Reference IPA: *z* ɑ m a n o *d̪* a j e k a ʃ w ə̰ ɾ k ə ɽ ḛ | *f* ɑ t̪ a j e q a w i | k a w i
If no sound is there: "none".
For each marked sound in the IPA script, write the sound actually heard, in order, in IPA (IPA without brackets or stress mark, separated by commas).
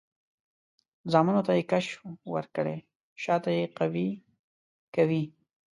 z, t̪, ʃ